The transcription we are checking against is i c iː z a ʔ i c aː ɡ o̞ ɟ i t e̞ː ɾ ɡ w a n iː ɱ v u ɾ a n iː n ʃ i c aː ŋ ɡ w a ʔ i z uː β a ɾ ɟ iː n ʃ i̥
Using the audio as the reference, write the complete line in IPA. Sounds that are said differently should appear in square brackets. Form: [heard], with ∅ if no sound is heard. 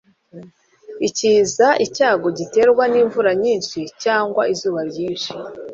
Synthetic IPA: i c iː z a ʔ i c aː ɡ o̞ ɟ i t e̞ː ɾ ɡ w a n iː ɱ v u ɾ a [ɲ] iː n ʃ i c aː ŋ ɡ w a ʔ i z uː β a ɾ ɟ iː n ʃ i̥